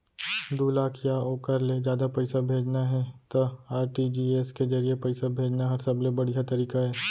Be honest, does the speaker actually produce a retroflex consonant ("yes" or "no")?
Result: yes